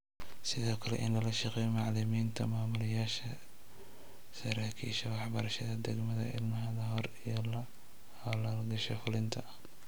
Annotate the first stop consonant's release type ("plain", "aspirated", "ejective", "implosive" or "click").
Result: aspirated